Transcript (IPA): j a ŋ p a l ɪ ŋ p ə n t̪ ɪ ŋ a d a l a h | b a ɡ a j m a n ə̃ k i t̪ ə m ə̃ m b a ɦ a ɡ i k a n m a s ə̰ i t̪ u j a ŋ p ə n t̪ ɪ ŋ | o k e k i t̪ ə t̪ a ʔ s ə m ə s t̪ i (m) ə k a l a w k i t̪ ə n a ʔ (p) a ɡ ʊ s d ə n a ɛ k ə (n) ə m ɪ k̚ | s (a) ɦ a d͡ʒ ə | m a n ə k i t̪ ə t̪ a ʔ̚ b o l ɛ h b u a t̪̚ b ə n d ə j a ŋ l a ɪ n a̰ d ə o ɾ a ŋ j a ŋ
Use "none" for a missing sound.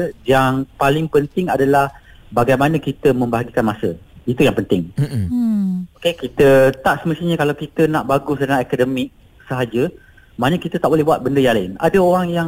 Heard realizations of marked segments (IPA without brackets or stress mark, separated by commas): ɲ, b, d, ə